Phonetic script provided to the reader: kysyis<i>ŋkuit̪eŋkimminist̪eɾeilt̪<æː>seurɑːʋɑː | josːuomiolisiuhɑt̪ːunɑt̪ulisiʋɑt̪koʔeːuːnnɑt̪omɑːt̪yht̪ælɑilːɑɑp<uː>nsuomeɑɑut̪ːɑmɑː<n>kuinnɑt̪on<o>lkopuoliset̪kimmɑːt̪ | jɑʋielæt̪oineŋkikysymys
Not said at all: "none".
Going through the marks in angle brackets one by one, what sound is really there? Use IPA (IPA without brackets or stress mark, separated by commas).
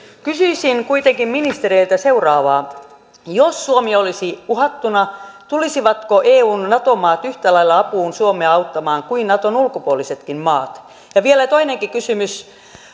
i, æ, uː, ŋ, u